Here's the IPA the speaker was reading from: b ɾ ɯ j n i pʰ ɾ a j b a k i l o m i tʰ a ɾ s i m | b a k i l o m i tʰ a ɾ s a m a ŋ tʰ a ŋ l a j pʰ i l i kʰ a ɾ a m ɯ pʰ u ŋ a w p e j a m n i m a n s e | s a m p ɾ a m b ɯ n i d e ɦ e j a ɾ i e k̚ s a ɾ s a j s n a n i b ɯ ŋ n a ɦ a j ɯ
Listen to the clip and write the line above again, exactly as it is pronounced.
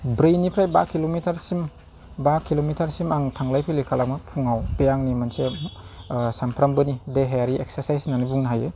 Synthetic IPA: b ɾ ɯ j n i pʰ ɾ a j b a k i l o m i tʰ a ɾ s i m | b a k i l o m i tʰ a ɾ s i m a ŋ tʰ a ŋ l a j pʰ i l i kʰ a l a m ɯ pʰ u ŋ a w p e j a ŋ n i m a n s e | s a m pʰ ɾ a m b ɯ n i d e ɦ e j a ɾ i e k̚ s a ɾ s a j s n a n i b u ŋ n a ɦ a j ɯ